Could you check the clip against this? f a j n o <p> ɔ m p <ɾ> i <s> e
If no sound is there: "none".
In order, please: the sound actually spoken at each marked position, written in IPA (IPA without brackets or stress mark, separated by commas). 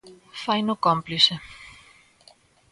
k, l, s